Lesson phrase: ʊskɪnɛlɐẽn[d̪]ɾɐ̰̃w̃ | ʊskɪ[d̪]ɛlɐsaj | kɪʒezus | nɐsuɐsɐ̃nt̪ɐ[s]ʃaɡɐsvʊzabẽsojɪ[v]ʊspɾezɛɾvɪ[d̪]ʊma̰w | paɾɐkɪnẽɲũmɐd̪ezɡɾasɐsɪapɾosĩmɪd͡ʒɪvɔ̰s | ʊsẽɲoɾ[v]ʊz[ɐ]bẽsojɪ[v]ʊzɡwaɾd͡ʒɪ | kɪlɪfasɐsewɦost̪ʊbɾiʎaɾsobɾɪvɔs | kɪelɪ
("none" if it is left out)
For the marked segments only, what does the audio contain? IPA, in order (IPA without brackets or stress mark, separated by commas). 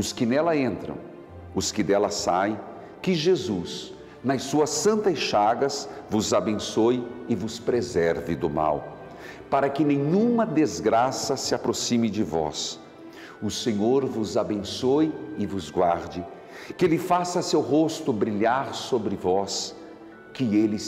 t̪, d̪, s, v, d̪, v, a, v